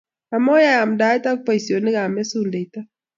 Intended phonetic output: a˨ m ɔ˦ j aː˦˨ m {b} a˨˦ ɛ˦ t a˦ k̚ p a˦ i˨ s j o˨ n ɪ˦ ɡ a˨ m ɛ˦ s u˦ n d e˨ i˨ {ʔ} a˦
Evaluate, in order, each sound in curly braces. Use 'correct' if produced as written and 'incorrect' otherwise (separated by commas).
incorrect, incorrect